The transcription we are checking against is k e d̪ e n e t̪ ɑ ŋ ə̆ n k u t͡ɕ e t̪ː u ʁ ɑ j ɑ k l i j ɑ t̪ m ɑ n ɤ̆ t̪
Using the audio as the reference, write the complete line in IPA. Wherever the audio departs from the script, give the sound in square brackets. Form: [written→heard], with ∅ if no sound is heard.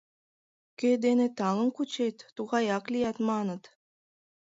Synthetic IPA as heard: k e d̪ e n e t̪ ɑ ŋ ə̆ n k u t͡ɕ e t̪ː u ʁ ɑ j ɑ k l i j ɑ t̪ m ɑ n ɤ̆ t̪

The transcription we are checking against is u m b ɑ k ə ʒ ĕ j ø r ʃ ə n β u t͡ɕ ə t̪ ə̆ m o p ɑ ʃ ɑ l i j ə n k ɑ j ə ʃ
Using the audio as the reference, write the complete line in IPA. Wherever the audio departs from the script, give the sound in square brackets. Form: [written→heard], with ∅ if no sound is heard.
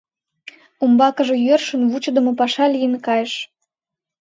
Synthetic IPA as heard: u m b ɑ k ə ʒ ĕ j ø r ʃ ə n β u t͡ɕ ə [t̪→d̪] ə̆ m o p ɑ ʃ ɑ l i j ə n k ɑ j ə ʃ

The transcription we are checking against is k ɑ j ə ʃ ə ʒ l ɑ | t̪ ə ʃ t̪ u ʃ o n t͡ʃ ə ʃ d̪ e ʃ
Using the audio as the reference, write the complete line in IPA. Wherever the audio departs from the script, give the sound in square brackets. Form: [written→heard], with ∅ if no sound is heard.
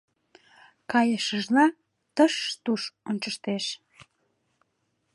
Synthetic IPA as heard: k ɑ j ə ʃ ə ʒ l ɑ | t̪ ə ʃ t̪ u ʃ o n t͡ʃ ə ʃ [d̪→t̪] e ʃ

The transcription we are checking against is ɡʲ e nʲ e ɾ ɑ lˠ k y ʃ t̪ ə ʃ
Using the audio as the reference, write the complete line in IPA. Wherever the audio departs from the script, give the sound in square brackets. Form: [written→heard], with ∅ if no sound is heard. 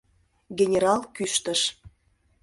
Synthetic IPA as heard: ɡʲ e nʲ e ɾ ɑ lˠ k y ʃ t̪ ə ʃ

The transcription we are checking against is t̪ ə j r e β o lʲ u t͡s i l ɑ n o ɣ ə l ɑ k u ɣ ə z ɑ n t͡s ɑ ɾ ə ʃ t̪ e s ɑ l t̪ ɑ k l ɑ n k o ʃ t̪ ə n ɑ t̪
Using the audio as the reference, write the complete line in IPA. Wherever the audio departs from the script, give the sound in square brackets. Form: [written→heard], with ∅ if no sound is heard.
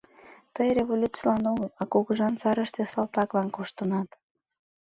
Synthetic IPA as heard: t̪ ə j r e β o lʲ u t͡s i l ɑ n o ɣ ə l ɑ k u ɣ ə [z→ʒ] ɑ n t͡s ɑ ɾ ə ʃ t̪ e s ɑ l t̪ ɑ k l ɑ n k o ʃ t̪ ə n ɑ t̪

